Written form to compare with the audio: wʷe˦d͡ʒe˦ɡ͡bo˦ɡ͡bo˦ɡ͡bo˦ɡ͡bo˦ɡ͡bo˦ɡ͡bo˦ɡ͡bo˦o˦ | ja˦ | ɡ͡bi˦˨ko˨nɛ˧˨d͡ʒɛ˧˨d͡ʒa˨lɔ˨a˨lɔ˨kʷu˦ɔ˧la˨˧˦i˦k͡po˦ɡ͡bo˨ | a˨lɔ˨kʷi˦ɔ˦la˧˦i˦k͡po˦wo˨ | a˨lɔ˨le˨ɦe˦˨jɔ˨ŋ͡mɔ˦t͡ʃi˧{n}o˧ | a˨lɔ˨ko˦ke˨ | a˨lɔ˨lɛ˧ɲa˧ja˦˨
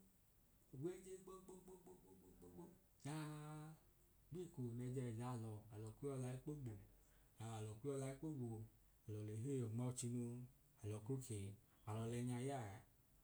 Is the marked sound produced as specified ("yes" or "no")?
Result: yes